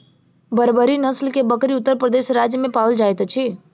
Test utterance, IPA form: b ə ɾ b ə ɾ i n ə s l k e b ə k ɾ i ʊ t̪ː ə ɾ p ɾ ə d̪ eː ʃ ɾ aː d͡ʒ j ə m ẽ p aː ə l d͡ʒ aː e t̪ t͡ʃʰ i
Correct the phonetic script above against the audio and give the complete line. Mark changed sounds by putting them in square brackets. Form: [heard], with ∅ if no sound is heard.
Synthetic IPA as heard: b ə ɾ b ə ɾ i n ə s l k e b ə k ɾ i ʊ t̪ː ə ɾ p ɾ ə d̪ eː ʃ ɾ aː d͡ʒ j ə m ẽ p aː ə l d͡ʒ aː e t̪ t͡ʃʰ i